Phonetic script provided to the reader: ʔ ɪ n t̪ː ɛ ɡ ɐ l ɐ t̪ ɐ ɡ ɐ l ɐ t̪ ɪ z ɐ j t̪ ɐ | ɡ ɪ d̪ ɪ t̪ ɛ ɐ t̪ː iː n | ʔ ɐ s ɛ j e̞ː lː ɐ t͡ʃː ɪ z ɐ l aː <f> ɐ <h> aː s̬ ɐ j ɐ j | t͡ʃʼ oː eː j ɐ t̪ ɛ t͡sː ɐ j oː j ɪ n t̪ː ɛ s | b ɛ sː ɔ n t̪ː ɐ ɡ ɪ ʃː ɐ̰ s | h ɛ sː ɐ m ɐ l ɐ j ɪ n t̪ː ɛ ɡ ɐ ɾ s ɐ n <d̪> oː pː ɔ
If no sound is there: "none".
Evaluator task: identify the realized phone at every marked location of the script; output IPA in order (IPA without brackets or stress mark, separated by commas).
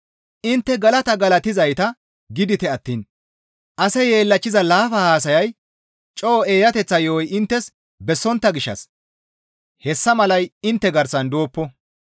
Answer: f, h, d̪